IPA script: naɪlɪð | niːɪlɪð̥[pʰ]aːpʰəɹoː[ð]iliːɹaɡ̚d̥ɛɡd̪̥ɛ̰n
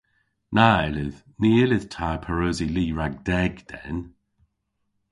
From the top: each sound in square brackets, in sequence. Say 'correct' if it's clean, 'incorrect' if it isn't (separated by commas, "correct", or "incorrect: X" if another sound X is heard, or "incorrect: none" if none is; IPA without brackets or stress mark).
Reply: incorrect: tʰ, incorrect: z